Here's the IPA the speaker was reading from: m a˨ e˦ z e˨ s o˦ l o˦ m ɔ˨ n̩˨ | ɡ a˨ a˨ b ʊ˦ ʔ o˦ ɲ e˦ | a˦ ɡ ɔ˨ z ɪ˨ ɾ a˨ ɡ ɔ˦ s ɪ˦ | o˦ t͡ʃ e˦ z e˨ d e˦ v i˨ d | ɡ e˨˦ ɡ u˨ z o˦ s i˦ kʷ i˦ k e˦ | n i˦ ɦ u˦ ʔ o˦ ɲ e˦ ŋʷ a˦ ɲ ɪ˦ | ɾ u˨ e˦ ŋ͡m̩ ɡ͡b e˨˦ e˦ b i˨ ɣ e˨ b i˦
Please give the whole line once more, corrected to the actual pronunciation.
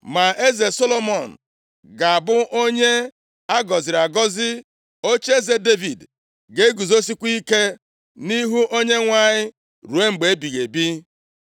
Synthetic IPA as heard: m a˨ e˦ z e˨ s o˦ l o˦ m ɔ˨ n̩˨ | ɡ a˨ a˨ b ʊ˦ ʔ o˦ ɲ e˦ | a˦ ɡ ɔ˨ z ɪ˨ ɾ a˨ ɡ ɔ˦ z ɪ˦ | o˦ t͡ʃ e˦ z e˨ d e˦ v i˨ d | ɡ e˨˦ ɡ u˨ z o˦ s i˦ kʷ i˦ k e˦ | n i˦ ɦ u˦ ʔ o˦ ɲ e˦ ŋʷ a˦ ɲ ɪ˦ | ɾ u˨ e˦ ŋ͡m̩ ɡ͡b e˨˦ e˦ b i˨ ɣ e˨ b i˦